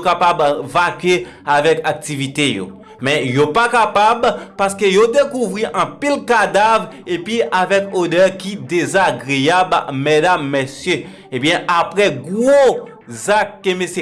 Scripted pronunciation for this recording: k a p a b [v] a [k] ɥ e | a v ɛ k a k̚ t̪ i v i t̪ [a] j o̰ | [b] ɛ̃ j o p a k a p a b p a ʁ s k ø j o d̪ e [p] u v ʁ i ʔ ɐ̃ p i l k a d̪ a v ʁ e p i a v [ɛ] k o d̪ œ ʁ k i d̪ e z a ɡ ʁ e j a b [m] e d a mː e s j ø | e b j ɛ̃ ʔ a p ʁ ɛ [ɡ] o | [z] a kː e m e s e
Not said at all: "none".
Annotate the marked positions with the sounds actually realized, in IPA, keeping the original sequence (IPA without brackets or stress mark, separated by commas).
v, k, e, m, k, ɛ, m, ɡ, z